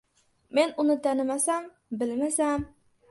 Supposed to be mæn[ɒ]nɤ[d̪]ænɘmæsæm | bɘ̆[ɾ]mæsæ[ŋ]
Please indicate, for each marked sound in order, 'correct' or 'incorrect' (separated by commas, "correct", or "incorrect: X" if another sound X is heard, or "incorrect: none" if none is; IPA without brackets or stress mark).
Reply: incorrect: u, incorrect: t̪, incorrect: l, incorrect: m